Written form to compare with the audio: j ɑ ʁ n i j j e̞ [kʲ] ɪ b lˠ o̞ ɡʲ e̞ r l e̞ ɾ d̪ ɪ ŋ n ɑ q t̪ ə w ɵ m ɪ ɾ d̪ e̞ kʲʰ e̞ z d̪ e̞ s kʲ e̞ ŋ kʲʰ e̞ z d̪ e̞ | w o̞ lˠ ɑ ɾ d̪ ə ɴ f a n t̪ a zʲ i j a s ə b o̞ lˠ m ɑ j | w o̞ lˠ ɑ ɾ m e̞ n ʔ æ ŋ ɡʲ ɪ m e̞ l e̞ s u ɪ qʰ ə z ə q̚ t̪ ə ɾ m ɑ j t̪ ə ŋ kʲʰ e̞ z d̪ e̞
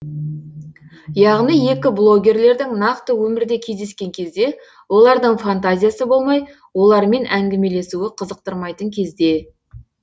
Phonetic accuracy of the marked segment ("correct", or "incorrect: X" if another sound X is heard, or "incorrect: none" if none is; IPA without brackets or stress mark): correct